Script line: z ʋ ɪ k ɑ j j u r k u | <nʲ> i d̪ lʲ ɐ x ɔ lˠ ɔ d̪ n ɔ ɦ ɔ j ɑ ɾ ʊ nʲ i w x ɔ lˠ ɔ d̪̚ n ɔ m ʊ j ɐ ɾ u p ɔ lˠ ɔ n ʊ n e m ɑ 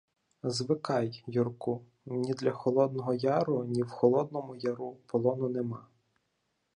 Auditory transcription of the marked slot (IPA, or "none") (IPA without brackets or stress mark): nʲ